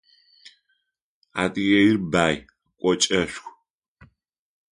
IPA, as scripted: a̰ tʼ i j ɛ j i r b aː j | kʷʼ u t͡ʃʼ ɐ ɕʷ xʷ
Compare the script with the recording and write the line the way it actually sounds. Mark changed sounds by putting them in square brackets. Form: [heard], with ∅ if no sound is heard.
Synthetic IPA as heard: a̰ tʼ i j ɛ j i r b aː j | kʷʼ [ɔ] t͡ʃʼ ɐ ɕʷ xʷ